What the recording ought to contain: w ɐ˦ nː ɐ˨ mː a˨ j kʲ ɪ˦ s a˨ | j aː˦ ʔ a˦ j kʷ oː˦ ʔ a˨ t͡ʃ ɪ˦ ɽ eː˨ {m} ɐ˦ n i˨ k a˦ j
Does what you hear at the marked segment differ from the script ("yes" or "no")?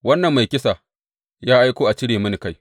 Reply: no